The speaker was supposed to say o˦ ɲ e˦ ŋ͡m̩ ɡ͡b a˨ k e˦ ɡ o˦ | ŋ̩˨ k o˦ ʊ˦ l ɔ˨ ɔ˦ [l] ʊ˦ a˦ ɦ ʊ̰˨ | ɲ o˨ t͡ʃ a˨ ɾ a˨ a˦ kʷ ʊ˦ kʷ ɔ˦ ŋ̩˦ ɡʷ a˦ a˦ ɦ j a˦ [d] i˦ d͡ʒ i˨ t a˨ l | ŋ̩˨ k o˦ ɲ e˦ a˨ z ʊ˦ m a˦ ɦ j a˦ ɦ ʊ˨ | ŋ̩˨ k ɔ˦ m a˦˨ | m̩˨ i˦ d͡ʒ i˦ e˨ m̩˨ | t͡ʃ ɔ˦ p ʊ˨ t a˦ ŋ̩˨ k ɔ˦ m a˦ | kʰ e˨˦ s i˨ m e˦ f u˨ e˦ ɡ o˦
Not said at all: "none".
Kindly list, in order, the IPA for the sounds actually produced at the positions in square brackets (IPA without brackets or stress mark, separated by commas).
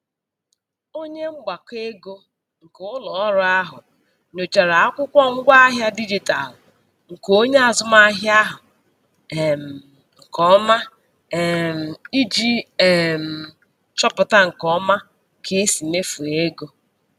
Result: ɾ, d